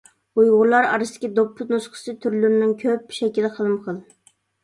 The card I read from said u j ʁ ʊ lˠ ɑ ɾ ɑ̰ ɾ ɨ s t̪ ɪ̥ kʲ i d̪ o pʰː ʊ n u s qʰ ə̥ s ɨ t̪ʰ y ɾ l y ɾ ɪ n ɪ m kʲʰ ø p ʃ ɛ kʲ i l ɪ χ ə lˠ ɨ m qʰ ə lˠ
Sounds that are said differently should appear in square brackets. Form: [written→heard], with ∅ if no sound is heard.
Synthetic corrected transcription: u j ʁ ʊ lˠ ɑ ɾ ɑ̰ ɾ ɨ s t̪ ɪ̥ kʲ i d̪ o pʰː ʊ n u s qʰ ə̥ s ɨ t̪ʰ y ɾ l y ɾ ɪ n ɪ [m→ŋ] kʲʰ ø p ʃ ɛ kʲ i l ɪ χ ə lˠ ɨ m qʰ ə lˠ